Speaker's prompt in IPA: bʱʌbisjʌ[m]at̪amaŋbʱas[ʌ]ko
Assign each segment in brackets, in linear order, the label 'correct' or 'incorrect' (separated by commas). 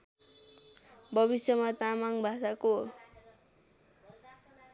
correct, incorrect